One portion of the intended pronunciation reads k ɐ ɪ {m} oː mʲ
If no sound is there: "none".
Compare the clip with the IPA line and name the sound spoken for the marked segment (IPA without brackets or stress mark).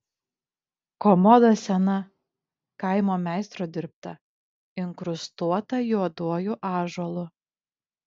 m